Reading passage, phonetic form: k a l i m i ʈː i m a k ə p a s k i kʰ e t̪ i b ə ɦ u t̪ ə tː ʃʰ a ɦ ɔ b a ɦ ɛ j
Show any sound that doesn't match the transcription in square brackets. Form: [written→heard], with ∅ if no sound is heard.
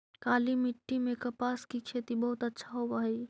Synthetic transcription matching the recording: k a l i m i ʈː i m [a→e] k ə p a s k i kʰ e t̪ i b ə ɦ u t̪ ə tː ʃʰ a ɦ [ɔ→o] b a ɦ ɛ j

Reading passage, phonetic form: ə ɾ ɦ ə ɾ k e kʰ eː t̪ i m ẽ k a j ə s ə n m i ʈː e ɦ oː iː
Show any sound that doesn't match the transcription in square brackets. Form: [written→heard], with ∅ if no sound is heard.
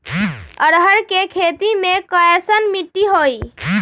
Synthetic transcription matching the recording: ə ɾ ɦ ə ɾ k e kʰ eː t̪ i m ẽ k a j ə s ə n m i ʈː [e→i] ɦ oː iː

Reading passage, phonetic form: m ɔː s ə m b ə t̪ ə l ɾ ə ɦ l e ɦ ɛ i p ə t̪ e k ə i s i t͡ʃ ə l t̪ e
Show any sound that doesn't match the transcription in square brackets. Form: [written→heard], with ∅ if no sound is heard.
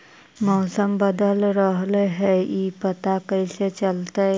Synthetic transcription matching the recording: m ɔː s ə m b ə [t̪→d̪] ə l ɾ ə ɦ l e ɦ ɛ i p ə t̪ [e→a] k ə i s [i→e] t͡ʃ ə l t̪ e

